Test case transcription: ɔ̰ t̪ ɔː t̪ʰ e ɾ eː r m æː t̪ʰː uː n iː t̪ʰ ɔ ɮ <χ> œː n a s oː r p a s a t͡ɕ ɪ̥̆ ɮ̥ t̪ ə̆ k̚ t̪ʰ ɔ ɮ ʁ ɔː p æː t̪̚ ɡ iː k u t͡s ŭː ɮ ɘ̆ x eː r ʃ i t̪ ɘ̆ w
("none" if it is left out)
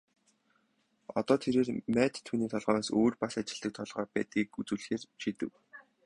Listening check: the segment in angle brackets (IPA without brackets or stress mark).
ʁ